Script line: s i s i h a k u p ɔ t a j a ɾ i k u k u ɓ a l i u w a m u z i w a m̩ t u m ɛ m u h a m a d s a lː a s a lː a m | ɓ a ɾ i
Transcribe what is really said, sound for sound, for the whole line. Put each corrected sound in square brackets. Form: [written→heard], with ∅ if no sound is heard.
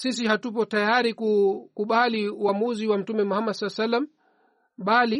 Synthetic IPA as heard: s i s i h a [k→t] u p ɔ t a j a ɾ i k u k u ɓ a l i u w a m u z i w a m̩ t u m ɛ m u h a m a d s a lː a s a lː a m | ɓ a [ɾ→l] i